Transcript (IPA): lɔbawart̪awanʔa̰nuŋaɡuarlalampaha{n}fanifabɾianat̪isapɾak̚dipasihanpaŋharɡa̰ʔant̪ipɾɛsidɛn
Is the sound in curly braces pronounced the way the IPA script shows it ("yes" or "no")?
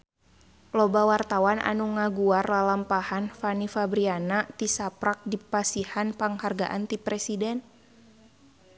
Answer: yes